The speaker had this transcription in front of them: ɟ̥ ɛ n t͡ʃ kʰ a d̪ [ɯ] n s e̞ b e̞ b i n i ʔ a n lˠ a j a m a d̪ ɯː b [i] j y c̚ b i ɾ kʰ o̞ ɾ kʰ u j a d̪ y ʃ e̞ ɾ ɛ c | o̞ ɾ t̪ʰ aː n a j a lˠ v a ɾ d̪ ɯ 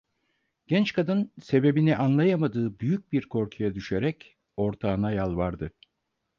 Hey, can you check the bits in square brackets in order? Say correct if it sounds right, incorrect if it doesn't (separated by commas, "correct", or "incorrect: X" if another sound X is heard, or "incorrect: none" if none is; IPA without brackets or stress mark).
correct, incorrect: y